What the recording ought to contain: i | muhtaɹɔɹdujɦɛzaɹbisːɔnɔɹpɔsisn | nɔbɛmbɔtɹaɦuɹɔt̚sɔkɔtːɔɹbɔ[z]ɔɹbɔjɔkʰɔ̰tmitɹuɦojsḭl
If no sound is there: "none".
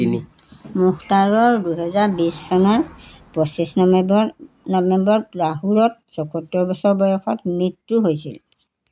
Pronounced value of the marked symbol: s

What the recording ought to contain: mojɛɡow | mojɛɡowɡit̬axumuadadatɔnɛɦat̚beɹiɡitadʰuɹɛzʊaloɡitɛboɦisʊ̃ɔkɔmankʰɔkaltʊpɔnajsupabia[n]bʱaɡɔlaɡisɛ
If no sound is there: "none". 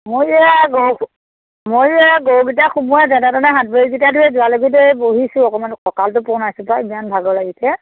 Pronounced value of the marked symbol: n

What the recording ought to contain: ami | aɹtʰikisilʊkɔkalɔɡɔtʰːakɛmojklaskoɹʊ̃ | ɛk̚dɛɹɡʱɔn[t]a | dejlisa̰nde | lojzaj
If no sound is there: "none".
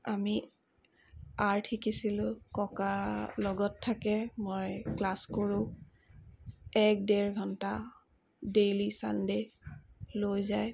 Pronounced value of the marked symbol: t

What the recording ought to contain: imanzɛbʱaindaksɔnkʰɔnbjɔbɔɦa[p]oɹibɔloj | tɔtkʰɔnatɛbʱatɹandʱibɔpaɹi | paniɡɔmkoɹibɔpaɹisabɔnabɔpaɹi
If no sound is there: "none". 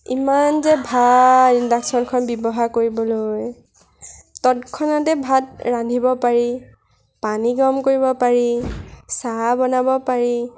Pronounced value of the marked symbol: k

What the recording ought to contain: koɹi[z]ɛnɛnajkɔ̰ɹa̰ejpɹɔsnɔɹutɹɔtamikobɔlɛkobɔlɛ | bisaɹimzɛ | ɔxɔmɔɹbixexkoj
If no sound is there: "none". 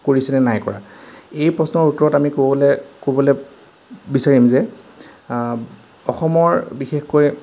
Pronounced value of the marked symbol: s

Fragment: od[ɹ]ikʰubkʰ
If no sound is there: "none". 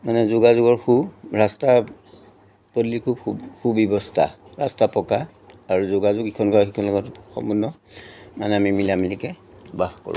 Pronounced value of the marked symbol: l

